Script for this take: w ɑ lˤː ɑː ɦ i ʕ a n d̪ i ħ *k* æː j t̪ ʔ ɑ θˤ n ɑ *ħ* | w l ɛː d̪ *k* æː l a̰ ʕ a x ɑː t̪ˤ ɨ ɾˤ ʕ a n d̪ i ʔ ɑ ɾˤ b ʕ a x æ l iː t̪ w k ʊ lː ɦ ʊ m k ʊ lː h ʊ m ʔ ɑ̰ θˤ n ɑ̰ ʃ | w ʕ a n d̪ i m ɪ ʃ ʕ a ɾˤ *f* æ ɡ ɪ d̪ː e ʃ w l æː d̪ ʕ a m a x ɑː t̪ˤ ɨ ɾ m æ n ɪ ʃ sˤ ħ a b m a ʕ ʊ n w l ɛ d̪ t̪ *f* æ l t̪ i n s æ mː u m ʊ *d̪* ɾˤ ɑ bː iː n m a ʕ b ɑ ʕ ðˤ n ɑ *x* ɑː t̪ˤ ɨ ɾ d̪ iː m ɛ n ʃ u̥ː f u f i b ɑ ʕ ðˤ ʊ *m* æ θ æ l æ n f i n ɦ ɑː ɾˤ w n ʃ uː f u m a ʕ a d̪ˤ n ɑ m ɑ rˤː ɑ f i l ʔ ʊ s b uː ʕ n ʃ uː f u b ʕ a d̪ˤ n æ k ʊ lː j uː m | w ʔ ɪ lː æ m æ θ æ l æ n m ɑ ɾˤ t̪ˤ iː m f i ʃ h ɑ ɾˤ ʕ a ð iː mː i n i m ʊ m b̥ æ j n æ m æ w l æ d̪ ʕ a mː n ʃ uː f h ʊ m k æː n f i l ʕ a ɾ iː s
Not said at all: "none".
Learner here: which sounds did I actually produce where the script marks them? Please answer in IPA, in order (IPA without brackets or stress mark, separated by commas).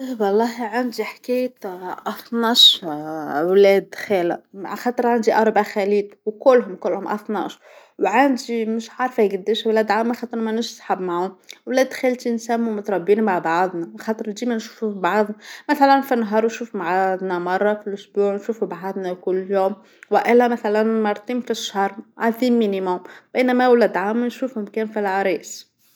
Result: k, ʃ, x, f, x, t̪, x, m